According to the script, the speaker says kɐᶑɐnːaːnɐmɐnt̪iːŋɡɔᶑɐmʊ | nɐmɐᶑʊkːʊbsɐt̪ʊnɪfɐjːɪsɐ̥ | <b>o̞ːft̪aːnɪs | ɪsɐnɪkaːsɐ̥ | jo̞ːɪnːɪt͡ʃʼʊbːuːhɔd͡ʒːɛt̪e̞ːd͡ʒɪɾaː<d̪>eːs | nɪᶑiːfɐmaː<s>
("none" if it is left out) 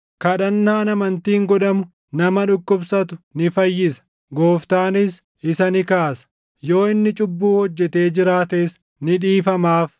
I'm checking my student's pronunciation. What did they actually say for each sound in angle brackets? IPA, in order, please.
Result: ɡ, t̪, f

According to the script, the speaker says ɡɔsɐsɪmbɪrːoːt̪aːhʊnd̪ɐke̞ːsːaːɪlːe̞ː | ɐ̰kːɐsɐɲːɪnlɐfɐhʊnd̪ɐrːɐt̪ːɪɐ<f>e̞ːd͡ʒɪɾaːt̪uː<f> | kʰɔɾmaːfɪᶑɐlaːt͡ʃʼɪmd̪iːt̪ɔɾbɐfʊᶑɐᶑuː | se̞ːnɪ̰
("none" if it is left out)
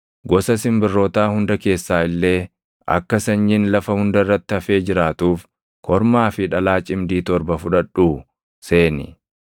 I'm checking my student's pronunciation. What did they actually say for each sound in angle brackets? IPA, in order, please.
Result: f, f

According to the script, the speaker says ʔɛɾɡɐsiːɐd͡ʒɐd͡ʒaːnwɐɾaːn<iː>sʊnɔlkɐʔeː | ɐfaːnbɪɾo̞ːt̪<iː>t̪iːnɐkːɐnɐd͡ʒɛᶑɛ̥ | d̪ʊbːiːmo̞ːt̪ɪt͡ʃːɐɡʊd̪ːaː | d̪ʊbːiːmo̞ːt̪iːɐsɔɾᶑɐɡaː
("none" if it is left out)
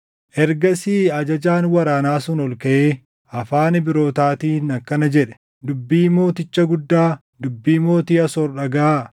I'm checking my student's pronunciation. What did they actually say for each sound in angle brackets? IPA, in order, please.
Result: aː, aː

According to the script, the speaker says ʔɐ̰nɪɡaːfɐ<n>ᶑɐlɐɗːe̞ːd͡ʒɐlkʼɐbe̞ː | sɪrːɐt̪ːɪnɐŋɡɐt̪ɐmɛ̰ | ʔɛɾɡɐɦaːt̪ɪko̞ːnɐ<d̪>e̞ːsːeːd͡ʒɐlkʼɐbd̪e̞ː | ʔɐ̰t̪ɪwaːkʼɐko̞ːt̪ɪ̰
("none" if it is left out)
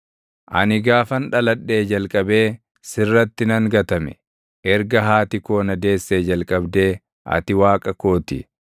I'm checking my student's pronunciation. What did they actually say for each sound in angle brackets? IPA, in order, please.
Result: n, d̪

